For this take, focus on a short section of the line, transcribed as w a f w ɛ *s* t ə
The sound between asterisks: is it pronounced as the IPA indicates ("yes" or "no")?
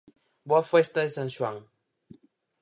yes